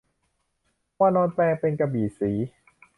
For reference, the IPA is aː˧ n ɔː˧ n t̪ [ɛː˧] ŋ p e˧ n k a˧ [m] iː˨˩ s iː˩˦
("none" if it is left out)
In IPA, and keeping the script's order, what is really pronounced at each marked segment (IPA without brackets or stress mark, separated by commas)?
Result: ɛː˧, b